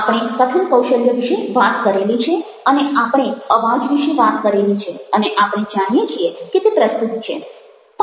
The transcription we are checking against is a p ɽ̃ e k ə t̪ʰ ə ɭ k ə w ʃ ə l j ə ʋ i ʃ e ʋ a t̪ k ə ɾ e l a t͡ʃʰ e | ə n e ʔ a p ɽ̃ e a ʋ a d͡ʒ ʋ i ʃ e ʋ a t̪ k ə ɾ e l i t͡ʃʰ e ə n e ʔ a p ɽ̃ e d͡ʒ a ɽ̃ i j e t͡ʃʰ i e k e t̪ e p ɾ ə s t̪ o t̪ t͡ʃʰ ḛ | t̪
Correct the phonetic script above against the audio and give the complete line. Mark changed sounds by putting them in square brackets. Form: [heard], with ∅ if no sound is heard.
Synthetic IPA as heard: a p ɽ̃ e k ə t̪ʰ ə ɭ k ə w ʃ ə l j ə ʋ i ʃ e ʋ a t̪ k ə ɾ e l [i] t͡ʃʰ e | ə n e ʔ a p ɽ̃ e [ə] ʋ a d͡ʒ ʋ i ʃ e ʋ a t̪ k ə ɾ e l i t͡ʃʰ e ə n e ʔ a p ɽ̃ e d͡ʒ a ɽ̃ i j e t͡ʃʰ i e k e t̪ e p ɾ ə s t̪ [u] t̪ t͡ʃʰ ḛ | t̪